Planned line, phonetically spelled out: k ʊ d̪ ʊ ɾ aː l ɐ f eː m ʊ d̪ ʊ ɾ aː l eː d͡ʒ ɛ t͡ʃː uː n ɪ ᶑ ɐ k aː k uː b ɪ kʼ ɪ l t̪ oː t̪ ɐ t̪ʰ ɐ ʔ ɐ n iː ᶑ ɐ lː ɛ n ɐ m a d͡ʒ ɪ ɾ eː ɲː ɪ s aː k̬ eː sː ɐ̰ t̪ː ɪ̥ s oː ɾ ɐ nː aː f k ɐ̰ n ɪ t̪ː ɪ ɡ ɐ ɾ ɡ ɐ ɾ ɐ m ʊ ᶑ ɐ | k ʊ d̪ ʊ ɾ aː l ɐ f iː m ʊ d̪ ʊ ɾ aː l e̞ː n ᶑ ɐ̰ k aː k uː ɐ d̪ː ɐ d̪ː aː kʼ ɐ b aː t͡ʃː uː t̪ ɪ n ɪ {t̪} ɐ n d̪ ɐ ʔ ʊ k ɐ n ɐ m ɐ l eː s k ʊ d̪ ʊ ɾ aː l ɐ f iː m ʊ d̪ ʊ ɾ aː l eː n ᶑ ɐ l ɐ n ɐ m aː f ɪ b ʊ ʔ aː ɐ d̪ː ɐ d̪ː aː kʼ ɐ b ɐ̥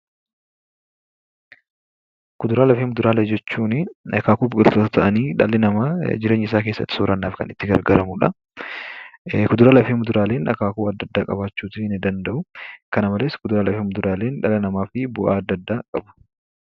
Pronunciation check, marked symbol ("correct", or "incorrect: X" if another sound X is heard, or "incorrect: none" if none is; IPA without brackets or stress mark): incorrect: d̪